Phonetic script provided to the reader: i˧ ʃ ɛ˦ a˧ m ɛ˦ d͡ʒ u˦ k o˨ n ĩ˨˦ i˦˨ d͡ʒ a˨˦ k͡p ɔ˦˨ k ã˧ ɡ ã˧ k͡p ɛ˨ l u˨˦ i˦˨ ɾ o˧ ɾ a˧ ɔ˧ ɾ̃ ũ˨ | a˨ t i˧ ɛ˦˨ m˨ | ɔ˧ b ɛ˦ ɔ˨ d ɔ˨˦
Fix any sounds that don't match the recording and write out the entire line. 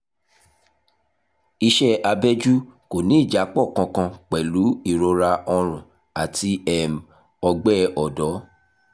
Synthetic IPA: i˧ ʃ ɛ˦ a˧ b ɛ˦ d͡ʒ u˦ k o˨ n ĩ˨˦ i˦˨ d͡ʒ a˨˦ k͡p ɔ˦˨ k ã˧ k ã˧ k͡p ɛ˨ l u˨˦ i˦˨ ɾ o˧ ɾ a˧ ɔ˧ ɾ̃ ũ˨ | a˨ t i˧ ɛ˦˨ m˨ | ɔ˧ ɡ͡b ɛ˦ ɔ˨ d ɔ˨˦